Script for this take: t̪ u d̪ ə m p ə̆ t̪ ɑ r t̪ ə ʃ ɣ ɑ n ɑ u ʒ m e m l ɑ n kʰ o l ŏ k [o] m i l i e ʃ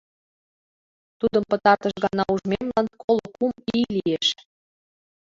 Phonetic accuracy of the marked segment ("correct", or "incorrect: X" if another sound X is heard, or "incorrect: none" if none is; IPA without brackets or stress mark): incorrect: u